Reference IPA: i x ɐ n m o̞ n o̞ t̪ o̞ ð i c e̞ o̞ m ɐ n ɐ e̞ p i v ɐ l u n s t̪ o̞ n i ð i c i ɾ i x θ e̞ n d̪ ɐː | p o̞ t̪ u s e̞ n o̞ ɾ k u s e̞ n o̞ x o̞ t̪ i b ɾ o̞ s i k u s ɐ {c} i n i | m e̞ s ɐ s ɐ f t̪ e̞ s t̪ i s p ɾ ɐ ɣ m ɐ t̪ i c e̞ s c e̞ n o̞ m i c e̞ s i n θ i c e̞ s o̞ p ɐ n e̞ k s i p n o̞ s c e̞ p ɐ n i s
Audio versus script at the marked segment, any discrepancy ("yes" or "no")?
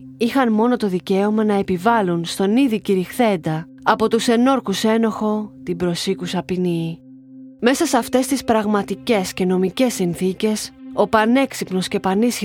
yes